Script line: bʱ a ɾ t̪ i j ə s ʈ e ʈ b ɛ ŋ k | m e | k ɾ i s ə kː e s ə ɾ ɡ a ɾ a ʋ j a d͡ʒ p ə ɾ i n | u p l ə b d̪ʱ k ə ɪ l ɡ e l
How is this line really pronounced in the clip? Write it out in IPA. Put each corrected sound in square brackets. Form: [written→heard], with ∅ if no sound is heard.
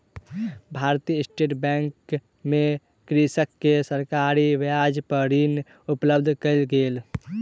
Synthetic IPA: bʱ a ɾ t̪ i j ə s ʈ e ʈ b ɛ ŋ k | m e | k ɾ i s ə kː e s ə ɾ [ɡ→k] a ɾ [a→i] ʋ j a d͡ʒ p ə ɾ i n | u p l ə b d̪ʱ k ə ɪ l ɡ e l